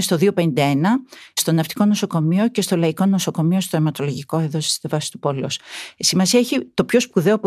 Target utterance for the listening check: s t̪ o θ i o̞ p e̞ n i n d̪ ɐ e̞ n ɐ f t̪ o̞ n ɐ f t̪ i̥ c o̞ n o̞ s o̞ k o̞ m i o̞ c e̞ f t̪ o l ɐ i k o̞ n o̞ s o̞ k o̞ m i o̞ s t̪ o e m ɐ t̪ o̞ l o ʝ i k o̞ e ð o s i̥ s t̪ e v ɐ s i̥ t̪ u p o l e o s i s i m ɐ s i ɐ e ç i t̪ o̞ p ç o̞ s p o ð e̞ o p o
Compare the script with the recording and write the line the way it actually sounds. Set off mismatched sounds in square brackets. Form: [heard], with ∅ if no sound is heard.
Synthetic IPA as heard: s t̪ o [ð] i o̞ p e̞ n i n d̪ ɐ e̞ n ɐ [s] t̪ o̞ n ɐ f t̪ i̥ [k] o̞ n o̞ s o̞ k o̞ m i o̞ c e̞ [s] t̪ o l ɐ i k o̞ n o̞ s o̞ k o̞ m i o̞ s t̪ o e m ɐ t̪ o̞ l o ʝ i k o̞ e ð o s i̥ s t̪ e v ɐ s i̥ t̪ u p o l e o s i s i m ɐ s i ɐ e ç i t̪ o̞ p ç o̞ s p [u] ð e̞ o p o